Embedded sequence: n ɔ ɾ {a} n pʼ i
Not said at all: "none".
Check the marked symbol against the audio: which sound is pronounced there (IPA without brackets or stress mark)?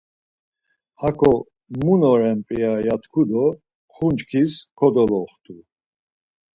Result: ɛ